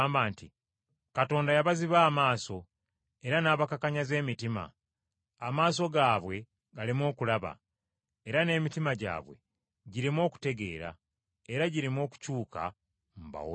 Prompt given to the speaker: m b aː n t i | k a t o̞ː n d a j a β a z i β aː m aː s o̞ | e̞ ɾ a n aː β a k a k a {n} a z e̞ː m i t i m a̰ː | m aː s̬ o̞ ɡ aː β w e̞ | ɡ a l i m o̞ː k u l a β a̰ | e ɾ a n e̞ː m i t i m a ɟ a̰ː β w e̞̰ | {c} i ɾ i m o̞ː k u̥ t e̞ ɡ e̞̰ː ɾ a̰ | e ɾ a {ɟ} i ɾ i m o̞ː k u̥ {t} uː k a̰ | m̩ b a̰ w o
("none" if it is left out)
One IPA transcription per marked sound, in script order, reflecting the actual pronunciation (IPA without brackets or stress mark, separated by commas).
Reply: ɲ, ɟ, ɟ, c